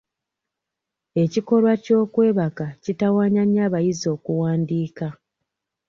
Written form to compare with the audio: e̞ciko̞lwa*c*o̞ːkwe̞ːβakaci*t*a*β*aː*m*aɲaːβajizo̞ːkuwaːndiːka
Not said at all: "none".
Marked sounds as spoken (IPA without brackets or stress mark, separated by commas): c, t, w, ɲ